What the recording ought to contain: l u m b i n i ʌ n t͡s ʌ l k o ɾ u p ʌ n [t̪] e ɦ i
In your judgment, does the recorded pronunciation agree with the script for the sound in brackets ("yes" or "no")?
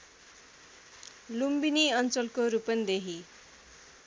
no